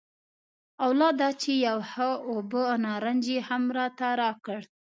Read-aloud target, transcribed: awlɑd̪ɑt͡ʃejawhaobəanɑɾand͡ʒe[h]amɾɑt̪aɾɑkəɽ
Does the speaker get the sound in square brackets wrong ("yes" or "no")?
no